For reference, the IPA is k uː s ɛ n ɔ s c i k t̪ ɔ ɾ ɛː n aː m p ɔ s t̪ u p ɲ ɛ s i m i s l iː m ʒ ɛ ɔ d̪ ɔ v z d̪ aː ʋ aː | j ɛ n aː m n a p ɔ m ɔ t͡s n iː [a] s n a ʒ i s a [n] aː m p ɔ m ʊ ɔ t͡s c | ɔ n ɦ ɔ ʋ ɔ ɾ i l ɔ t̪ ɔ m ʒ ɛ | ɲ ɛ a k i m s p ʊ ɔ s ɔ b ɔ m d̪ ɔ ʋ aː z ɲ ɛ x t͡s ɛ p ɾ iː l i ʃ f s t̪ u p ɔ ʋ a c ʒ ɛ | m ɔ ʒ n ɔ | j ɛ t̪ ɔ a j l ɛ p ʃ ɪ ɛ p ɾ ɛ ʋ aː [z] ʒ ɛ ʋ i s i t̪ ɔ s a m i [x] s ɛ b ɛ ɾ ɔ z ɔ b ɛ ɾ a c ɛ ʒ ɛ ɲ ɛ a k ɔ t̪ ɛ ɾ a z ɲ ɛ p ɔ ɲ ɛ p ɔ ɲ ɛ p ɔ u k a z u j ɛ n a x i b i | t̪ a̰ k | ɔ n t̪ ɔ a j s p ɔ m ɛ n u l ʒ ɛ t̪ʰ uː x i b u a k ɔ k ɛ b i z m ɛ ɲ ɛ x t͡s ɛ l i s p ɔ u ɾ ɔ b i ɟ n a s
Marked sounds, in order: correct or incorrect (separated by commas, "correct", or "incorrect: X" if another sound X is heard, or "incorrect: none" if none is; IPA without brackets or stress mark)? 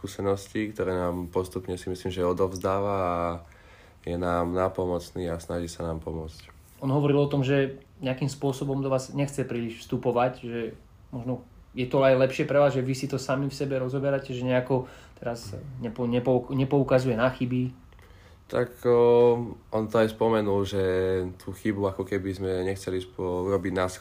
correct, correct, correct, incorrect: f